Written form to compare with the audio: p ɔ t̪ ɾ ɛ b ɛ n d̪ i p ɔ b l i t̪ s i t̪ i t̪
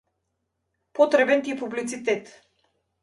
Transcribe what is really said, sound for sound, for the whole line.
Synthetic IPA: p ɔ t̪ ɾ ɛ b ɛ n t̪ i p u b l i t̪ s i t̪ ɛ t̪